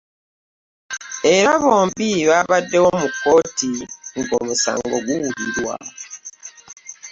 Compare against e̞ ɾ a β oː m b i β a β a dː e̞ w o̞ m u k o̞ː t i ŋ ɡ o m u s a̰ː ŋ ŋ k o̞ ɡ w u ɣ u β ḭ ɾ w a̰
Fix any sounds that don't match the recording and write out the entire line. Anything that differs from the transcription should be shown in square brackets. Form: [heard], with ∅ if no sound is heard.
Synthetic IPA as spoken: e̞ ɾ a β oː m b i β a β a dː e̞ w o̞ m u k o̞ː t i ŋ ɡ o m u s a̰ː ŋ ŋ [ɡ] o̞ ɡ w u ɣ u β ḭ ɾ w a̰